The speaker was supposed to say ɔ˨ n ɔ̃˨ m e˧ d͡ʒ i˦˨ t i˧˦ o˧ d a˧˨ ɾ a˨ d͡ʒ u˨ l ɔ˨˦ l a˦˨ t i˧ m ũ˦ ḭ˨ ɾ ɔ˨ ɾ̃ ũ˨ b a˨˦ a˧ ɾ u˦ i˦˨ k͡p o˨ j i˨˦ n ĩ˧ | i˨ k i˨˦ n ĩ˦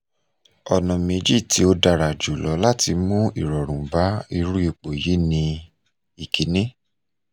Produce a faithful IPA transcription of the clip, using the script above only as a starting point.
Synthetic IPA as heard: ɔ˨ n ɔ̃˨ m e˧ d͡ʒ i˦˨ t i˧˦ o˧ d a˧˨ ɾ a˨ d͡ʒ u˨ l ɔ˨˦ l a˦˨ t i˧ m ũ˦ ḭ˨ ɾ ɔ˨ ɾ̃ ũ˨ b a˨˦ i˧ ɾ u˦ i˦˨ k͡p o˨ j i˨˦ n ĩ˧ | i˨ k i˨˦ n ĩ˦